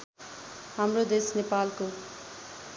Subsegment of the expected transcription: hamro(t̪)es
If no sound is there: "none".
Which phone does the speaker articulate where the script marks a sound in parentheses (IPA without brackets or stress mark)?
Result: d̪